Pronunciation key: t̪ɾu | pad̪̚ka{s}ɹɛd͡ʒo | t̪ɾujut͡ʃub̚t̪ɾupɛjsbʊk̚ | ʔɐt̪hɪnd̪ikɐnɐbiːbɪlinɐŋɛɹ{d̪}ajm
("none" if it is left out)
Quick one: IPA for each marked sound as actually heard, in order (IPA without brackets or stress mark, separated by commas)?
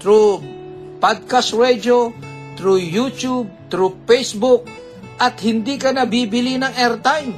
s, t̪